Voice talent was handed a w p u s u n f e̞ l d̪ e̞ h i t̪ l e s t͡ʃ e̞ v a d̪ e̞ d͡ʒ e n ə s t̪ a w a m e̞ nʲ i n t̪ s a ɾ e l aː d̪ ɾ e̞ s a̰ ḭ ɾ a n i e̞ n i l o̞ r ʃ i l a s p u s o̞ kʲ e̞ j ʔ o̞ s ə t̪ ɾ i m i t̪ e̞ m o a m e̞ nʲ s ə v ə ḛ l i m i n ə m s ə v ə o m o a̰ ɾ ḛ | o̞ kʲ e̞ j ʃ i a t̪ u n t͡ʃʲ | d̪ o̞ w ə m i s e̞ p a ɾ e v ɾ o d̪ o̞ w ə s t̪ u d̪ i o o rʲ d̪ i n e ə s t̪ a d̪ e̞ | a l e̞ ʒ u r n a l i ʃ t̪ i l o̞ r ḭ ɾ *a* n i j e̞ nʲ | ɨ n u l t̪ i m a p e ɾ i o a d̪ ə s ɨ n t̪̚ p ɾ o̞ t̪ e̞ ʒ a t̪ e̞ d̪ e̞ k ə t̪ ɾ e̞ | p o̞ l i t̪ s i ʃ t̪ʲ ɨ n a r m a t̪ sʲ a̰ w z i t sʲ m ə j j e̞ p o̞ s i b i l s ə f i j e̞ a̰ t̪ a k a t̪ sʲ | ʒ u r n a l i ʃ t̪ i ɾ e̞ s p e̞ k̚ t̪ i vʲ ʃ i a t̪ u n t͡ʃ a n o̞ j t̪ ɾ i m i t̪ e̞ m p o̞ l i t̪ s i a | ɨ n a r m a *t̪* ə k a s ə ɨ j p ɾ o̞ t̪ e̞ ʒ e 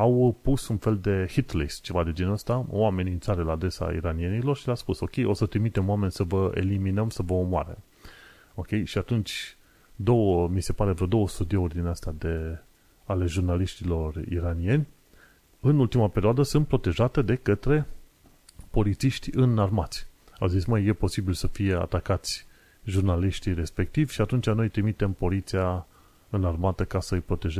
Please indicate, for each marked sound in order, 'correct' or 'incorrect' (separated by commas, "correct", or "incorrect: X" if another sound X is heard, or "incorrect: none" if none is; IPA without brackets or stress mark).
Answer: correct, correct